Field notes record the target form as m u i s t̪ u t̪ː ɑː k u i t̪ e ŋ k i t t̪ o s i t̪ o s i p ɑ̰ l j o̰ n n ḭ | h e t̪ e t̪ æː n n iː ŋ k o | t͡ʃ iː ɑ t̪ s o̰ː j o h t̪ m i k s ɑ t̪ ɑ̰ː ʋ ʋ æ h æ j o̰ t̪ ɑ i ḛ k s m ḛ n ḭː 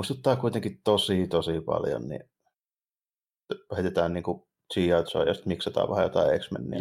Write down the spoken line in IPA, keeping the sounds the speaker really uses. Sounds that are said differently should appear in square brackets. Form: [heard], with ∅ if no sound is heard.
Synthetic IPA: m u i s t̪ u t̪ː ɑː k u i t̪ e ŋ k i t t̪ o s i t̪ o s i p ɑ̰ l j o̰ n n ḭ | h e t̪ e t̪ æː n n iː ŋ k [u] | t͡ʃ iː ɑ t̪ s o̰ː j o [s] t̪ m i k s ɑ t̪ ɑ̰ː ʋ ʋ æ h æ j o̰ t̪ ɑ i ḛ k s m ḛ [nː] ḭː